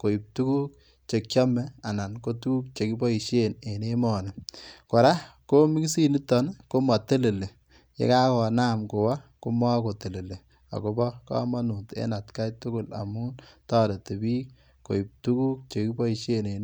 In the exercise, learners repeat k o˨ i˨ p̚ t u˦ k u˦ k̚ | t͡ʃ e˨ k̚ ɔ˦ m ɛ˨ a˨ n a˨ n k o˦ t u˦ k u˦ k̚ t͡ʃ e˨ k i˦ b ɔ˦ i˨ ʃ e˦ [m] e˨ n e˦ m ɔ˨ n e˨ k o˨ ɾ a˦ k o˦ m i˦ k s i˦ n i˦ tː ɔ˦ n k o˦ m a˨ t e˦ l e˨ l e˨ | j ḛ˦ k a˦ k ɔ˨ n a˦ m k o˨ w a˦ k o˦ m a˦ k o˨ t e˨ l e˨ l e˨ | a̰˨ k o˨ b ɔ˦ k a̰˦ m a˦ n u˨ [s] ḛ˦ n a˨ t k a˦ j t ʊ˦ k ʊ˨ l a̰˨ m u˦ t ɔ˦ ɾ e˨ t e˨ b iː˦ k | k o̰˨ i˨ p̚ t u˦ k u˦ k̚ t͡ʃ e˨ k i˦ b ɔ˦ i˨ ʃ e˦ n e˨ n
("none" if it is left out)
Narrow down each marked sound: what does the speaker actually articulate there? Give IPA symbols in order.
n, t

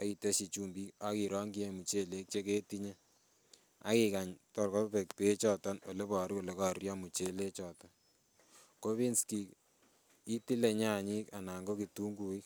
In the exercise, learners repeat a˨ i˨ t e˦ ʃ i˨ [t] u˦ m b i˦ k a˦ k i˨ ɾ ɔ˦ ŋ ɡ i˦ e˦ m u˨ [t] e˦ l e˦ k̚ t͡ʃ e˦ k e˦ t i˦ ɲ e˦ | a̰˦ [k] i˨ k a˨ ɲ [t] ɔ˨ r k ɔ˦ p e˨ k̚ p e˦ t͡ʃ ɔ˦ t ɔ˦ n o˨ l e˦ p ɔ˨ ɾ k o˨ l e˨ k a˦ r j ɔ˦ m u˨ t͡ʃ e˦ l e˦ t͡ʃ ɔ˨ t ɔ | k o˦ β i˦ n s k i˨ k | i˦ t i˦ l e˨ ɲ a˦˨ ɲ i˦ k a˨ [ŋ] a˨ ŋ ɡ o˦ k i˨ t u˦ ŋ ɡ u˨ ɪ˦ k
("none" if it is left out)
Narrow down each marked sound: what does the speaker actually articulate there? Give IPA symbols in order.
t͡ʃ, t͡ʃ, k, t, n

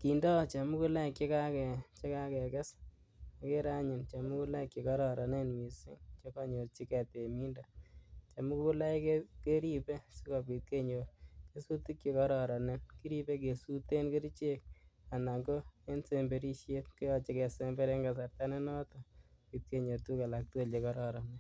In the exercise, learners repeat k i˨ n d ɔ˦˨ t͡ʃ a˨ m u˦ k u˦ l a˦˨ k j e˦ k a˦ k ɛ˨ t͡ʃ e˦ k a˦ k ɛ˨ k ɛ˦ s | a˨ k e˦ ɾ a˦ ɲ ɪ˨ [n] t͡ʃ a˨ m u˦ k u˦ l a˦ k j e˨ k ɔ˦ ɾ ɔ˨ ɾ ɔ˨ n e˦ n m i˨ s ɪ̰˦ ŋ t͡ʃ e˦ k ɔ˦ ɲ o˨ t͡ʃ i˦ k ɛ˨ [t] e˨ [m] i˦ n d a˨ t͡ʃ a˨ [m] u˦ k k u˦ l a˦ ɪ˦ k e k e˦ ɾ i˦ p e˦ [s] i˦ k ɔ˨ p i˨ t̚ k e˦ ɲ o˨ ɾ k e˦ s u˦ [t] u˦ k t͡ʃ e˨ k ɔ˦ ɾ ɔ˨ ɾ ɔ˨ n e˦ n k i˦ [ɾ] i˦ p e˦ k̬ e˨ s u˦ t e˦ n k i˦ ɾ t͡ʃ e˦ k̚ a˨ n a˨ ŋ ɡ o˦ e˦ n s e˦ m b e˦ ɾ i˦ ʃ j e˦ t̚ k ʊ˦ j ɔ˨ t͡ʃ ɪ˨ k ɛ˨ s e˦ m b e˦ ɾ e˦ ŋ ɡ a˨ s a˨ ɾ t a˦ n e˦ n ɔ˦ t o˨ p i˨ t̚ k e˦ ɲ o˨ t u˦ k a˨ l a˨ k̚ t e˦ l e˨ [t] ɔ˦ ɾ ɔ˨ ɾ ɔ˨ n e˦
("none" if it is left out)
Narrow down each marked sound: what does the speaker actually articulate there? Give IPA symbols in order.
n, t, m, m, s, t, ɾ, k

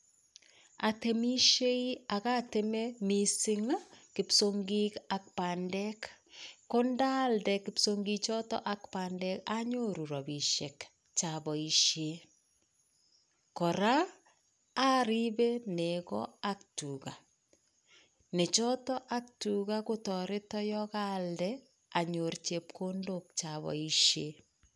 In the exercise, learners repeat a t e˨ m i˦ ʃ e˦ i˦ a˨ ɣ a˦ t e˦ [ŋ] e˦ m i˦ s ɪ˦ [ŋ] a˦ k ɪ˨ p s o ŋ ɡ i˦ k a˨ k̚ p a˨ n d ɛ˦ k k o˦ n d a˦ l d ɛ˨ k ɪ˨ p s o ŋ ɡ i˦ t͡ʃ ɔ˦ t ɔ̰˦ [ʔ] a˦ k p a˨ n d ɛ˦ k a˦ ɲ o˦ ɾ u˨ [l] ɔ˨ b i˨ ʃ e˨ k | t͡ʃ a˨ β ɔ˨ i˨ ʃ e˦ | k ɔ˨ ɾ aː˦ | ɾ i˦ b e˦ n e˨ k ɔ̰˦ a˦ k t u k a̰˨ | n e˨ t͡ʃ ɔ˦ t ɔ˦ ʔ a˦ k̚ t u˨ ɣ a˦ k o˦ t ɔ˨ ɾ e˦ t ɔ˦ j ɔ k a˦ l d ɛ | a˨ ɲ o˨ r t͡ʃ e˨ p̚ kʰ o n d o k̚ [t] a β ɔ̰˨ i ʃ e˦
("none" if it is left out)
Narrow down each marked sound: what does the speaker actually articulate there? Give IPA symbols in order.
m, ŋ, ʔ, ɾ, t͡ʃ

